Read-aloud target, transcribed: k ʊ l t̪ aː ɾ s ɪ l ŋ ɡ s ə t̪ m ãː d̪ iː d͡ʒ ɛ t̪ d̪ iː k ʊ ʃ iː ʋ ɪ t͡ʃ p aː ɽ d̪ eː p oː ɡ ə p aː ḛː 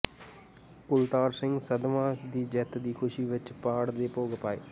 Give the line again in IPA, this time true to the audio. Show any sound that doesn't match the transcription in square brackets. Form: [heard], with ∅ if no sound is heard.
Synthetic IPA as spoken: k ʊ l t̪ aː ɾ s ɪ [∅] ŋ ɡ s ə [d̪] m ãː d̪ iː d͡ʒ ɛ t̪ d̪ iː [kʰ] ʊ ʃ iː ʋ ɪ t͡ʃ p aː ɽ d̪ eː p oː ɡ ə p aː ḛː